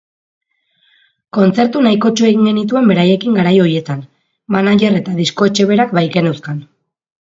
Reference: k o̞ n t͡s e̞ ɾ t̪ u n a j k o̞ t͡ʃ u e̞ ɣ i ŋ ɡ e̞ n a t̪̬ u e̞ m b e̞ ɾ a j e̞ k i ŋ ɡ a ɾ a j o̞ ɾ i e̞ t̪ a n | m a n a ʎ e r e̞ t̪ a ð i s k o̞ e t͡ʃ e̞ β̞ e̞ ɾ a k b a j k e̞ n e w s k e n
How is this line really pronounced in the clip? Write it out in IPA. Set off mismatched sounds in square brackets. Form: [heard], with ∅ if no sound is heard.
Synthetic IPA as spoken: k o̞ n t͡s e̞ ɾ t̪ u n a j k o̞ t͡ʃ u e̞ ɣ i ŋ ɡ e̞ n [i] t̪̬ u e̞ m b e̞ ɾ a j e̞ k i ŋ ɡ a ɾ a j o̞ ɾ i e̞ t̪ a n | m a n a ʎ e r e̞ t̪ a ð i s k o̞ e t͡ʃ e̞ β̞ e̞ ɾ a k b a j k e̞ n e w s k [a] n